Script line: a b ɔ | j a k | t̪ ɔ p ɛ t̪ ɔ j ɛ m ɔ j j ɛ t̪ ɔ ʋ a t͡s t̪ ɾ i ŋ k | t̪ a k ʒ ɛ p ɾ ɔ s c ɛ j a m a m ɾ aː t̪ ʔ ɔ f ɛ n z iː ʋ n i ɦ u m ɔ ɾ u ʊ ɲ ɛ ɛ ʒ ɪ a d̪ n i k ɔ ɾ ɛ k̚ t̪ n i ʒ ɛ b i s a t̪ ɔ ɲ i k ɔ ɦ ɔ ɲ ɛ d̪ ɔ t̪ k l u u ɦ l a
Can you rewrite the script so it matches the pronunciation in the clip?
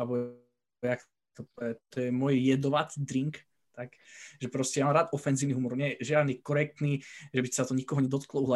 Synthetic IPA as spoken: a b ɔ | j a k | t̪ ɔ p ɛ t̪ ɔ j ɛ m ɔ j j ɛ d̪ ɔ ʋ a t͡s d̪ ɾ i ŋ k | t̪ a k ʒ ɛ p ɾ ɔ s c ɛ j a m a m ɾ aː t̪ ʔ ɔ f ɛ n z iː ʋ n i ɦ u m ɔ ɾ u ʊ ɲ ɛ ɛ ʒ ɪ a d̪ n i k ɔ ɾ ɛ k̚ t̪ n i ʒ ɛ b i s a t̪ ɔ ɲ i k ɔ ɦ ɔ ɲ ɛ d̪ ɔ t̪ k l ɔ u ɦ l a